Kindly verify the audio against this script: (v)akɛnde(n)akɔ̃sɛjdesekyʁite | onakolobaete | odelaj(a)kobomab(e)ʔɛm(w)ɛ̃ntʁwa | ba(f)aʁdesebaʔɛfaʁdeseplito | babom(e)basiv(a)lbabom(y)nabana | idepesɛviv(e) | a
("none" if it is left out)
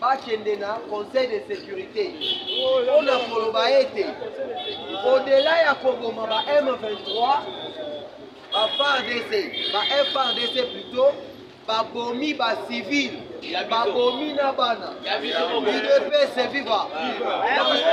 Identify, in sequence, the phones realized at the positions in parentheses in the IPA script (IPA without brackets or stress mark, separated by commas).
b, n, a, a, v, f, i, i, i, a